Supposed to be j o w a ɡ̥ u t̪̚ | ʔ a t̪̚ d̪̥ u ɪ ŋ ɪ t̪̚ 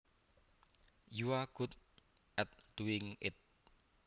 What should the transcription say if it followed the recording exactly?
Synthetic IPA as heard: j u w a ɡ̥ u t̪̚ | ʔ ɛ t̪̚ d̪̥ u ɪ ŋ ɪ t̪̚